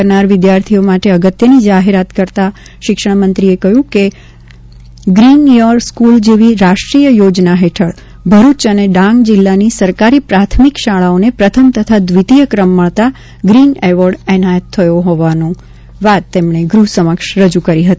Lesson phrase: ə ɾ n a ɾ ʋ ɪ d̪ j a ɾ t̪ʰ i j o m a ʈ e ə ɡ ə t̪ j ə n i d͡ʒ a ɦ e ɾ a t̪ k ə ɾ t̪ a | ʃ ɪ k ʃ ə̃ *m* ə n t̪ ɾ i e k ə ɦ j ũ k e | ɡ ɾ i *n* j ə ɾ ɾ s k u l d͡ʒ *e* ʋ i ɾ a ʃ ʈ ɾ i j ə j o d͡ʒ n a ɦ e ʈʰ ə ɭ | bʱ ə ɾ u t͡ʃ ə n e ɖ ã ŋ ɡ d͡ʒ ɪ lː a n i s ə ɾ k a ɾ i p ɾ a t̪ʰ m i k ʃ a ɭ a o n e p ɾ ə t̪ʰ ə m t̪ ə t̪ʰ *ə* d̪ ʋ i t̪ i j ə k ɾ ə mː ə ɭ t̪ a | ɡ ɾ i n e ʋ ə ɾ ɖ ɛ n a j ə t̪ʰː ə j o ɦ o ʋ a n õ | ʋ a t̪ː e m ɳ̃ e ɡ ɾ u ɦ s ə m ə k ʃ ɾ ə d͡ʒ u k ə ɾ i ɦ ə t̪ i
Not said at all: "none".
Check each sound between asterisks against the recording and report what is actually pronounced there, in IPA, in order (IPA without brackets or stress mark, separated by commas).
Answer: m, n, e, a